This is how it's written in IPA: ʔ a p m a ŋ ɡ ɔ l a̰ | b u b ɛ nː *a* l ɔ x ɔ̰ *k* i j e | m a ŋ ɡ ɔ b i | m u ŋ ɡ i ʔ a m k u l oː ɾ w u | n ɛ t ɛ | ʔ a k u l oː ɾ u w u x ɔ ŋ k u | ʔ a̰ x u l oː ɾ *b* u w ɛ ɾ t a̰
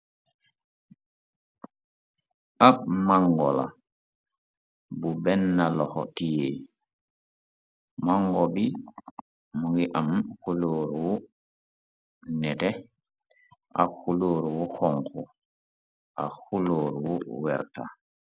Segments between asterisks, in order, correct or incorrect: correct, incorrect: t, incorrect: w

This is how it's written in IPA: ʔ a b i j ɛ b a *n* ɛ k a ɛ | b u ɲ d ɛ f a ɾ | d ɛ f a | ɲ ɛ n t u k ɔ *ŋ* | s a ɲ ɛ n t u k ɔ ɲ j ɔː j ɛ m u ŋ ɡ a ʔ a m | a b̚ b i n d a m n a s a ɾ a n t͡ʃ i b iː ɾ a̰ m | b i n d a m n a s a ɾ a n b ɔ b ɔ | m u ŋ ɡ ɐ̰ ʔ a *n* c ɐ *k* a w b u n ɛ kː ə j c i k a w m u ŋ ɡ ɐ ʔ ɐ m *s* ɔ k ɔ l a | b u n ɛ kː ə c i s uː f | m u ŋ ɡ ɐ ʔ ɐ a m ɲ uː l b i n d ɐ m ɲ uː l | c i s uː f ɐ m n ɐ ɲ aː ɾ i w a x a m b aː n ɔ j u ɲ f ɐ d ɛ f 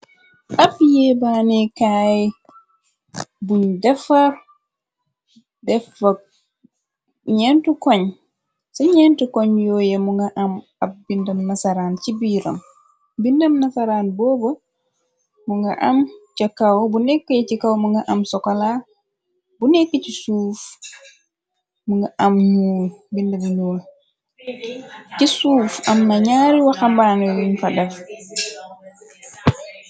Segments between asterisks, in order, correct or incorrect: correct, incorrect: ɲ, incorrect: m, correct, correct

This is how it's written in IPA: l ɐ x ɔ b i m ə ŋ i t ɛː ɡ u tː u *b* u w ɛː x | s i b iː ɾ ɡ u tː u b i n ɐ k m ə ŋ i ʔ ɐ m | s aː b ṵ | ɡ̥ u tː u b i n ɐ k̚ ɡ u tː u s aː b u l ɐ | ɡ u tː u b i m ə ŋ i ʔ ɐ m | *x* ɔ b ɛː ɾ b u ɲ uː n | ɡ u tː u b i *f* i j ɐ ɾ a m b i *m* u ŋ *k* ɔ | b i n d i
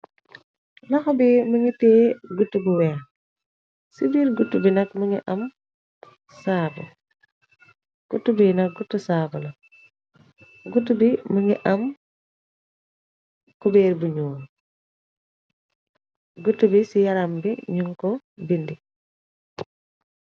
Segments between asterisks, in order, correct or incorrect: correct, incorrect: k, incorrect: s, incorrect: ɲ, correct

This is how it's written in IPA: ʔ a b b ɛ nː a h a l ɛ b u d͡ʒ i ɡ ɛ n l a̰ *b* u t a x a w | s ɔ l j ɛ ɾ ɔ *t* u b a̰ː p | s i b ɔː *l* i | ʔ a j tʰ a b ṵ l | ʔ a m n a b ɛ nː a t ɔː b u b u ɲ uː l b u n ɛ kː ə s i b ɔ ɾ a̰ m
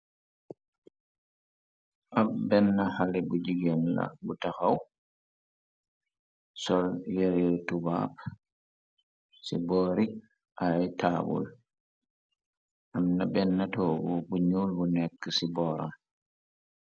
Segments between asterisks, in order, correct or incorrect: correct, correct, incorrect: ɾ

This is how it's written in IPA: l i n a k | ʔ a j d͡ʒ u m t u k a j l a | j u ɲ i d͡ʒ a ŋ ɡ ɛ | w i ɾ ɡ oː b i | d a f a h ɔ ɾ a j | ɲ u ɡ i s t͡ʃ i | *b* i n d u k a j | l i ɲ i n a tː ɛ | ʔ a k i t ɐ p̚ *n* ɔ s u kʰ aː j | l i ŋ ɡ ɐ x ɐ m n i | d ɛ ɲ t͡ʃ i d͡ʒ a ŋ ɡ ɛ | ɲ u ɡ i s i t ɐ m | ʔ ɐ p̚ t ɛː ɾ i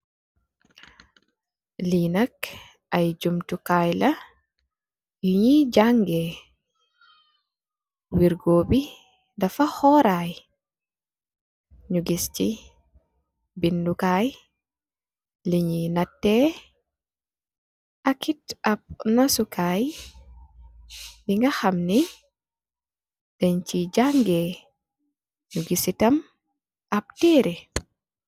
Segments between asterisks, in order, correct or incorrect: correct, correct

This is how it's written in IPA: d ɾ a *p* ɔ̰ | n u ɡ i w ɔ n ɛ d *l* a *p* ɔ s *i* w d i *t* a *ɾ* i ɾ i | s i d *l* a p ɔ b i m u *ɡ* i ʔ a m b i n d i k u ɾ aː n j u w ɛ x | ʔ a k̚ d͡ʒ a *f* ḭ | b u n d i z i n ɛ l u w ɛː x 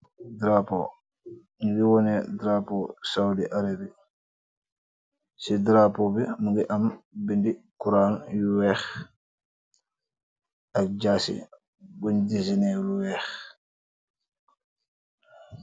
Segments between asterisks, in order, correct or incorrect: correct, incorrect: ɾ, correct, incorrect: a, incorrect: ʔ, correct, incorrect: ɾ, correct, incorrect: s

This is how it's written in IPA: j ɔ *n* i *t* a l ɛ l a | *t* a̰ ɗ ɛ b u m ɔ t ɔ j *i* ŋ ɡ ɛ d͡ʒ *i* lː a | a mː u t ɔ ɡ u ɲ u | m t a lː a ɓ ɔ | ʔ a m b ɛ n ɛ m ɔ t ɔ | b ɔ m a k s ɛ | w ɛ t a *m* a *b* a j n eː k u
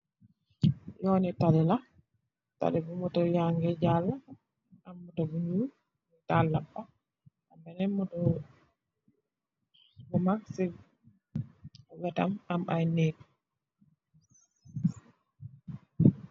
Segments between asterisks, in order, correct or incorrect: correct, correct, correct, incorrect: a, incorrect: a, correct, incorrect: m

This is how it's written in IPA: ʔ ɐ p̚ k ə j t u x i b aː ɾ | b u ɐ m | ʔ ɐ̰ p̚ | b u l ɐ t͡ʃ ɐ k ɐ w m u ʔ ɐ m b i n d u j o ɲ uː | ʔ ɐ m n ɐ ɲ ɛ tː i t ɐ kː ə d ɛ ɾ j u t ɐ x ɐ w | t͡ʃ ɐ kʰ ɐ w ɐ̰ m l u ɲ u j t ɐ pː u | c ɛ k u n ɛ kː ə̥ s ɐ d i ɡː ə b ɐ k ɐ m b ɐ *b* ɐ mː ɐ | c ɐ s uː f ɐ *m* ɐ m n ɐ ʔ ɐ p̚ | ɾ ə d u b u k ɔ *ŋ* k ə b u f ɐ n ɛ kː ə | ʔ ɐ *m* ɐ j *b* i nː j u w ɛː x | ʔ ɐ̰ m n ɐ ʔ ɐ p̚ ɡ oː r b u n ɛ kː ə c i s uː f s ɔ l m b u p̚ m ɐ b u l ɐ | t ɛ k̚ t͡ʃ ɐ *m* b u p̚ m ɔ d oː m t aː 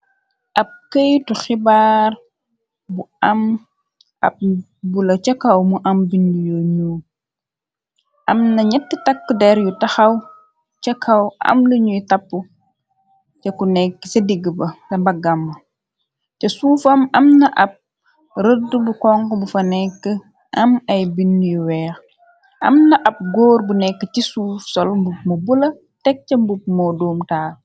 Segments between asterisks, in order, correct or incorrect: incorrect: ɡ, correct, correct, correct, correct, correct

